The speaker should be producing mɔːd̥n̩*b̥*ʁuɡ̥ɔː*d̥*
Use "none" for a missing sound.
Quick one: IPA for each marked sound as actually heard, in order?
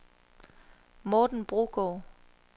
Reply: b̥, none

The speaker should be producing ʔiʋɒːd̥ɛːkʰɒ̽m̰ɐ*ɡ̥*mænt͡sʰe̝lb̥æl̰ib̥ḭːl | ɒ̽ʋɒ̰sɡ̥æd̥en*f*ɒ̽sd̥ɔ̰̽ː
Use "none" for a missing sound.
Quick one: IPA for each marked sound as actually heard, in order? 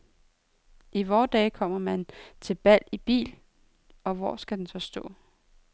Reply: none, s

